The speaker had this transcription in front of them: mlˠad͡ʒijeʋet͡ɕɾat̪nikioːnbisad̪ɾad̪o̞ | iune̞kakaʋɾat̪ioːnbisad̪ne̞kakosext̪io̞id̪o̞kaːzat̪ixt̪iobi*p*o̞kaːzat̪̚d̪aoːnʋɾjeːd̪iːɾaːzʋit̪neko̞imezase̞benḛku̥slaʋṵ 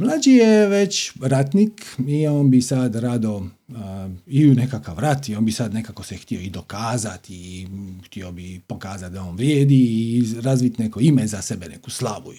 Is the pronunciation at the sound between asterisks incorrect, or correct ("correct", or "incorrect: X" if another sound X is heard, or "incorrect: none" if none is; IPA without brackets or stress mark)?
correct